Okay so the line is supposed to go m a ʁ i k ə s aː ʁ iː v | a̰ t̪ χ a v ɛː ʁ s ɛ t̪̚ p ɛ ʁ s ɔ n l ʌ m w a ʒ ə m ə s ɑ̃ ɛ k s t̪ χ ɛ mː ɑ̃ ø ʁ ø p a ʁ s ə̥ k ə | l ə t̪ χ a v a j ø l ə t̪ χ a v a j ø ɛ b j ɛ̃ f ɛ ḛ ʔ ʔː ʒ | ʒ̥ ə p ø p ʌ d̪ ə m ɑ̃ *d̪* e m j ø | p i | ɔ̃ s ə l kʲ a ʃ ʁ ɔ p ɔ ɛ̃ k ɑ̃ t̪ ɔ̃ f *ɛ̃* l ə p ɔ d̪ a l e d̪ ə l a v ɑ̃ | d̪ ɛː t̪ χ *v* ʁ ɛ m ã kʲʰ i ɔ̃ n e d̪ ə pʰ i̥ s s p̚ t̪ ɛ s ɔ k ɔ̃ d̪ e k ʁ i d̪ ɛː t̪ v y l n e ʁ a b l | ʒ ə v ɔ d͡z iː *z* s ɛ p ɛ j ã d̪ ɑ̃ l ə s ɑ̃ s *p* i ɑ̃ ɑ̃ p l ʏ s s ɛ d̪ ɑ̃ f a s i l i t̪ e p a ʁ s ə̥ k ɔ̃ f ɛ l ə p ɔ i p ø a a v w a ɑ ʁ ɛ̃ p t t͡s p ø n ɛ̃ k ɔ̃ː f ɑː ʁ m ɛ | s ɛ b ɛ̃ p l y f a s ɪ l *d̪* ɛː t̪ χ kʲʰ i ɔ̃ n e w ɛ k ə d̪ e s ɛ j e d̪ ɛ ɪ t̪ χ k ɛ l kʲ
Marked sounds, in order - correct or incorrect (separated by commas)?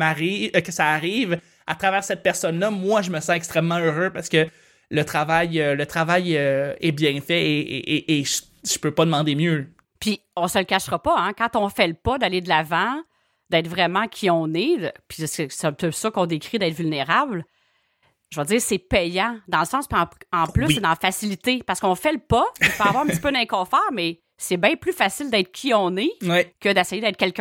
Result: correct, incorrect, correct, incorrect, correct, correct